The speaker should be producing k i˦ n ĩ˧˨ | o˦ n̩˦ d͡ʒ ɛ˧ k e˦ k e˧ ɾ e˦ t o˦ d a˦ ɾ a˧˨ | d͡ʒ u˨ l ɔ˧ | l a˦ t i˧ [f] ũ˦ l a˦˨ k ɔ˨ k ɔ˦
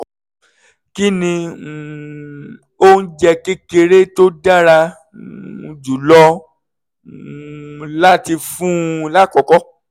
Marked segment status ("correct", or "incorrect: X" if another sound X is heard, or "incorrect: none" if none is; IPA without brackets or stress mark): correct